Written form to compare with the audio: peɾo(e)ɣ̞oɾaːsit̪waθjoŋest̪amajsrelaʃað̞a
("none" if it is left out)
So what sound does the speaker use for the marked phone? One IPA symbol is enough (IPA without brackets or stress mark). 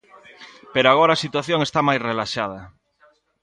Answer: a